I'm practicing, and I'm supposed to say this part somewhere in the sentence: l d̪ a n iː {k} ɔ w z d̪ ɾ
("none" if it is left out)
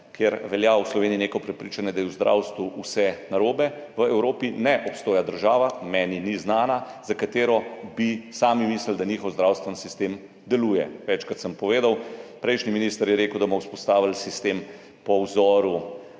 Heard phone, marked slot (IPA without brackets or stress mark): x